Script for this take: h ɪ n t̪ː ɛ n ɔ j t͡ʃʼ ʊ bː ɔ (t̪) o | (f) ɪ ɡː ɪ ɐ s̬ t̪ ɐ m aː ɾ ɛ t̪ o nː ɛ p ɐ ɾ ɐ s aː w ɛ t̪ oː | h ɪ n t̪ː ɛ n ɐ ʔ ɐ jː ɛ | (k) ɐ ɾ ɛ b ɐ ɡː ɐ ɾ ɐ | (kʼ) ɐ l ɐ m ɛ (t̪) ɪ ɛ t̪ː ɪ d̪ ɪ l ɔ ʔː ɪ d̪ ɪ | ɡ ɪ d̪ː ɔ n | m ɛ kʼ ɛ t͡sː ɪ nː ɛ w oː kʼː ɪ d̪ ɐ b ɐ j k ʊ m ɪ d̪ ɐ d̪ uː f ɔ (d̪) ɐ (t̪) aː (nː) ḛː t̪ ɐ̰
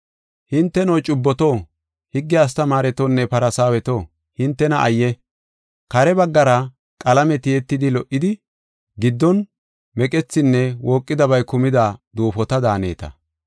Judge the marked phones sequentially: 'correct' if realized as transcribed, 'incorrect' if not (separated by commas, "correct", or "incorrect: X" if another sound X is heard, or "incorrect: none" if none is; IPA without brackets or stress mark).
correct, incorrect: h, correct, correct, correct, incorrect: t̪, incorrect: d̪, incorrect: n